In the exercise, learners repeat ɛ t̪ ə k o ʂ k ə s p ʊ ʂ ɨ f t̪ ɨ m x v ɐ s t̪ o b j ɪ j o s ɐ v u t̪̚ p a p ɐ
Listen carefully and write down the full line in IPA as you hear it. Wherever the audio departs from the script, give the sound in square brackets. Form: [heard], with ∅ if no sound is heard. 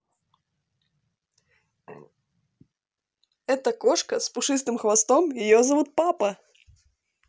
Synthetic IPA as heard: ɛ t̪ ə k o ʂ k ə s p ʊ ʂ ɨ [s] t̪ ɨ m x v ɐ s t̪ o [m] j ɪ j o [z] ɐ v u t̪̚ p a p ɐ